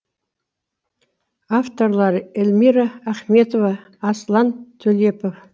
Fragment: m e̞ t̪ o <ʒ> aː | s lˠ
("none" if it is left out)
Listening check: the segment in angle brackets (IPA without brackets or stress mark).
v